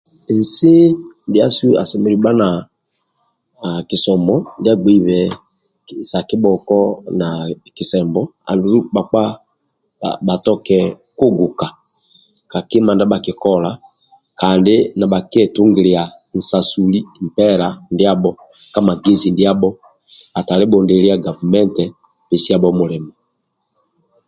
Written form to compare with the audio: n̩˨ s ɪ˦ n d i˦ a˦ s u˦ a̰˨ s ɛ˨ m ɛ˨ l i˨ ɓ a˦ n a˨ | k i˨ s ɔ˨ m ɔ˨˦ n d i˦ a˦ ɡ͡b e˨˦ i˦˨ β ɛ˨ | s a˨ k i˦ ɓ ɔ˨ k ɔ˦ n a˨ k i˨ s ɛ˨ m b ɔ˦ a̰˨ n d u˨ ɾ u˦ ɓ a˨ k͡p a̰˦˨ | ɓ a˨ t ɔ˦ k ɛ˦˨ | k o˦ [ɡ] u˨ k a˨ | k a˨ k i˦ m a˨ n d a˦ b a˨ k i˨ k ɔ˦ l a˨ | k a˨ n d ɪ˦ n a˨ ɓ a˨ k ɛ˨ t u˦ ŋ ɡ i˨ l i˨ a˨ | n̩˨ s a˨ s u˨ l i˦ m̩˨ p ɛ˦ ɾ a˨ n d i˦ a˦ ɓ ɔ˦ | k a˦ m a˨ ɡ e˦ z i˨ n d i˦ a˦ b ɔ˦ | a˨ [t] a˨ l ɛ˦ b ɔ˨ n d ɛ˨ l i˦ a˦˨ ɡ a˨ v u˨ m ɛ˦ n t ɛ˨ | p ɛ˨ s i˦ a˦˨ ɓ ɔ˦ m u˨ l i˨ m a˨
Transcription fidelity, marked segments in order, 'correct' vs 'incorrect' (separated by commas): correct, correct